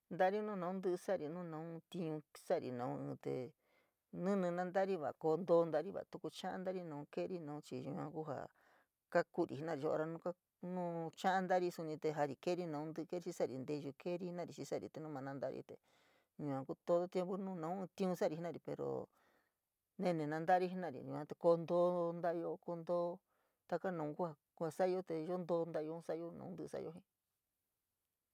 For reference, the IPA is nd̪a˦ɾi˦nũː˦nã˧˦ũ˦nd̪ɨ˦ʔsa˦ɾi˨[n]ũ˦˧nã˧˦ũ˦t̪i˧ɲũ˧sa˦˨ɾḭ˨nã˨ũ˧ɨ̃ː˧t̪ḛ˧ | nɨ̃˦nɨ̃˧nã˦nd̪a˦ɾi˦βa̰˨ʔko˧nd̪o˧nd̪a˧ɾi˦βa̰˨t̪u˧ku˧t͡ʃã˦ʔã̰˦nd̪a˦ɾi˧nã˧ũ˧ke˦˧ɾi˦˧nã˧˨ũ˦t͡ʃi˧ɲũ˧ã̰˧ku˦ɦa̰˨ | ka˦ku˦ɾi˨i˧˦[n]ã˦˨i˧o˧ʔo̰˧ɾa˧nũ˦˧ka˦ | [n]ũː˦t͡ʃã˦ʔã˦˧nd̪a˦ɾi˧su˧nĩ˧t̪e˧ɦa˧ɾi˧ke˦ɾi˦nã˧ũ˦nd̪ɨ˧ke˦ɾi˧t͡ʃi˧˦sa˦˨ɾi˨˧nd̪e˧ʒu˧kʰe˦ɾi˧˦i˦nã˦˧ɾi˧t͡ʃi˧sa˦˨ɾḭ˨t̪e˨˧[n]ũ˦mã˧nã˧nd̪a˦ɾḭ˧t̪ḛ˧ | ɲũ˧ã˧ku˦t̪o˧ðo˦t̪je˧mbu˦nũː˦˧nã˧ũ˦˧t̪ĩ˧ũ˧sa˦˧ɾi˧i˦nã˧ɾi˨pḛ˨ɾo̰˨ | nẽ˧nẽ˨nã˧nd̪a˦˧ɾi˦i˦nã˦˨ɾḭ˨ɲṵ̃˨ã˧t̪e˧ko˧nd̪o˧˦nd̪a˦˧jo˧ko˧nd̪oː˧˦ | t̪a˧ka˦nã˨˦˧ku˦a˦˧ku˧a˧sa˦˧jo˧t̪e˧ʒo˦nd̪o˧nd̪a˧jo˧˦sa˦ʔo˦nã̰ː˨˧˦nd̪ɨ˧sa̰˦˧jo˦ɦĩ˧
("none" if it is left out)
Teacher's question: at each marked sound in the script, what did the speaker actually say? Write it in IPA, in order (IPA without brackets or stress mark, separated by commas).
n, n, n, n